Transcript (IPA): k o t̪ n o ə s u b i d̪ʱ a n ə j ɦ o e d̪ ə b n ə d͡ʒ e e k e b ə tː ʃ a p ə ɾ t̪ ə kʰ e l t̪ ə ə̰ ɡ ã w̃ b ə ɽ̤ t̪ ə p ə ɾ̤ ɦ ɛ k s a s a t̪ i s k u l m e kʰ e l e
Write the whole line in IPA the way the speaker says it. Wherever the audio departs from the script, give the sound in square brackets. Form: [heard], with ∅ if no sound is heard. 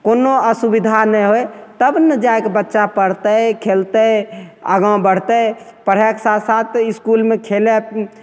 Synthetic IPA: k o [∅] n o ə s u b i d̪ʱ a n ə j ɦ o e [t̪] ə b n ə d͡ʒ [a] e k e b ə tː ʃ a p ə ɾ t̪ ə kʰ e l t̪ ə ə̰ ɡ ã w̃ b ə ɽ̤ t̪ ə p ə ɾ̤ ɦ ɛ k s a s a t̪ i s k u l m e kʰ e l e